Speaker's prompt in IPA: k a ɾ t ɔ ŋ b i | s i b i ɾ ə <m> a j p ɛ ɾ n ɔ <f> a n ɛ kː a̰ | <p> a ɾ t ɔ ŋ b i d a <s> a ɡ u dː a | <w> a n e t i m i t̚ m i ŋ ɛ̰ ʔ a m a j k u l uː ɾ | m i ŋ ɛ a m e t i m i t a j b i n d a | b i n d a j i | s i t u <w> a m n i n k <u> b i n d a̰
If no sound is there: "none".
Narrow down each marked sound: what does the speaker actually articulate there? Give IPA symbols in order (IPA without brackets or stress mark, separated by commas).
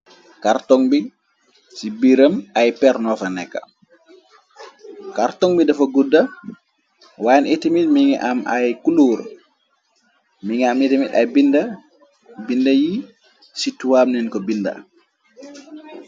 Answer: m, f, k, f, w, w, ɔ